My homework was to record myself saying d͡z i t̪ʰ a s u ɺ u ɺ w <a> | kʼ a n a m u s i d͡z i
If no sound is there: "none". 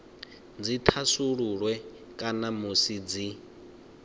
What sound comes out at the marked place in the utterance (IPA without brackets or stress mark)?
ɛ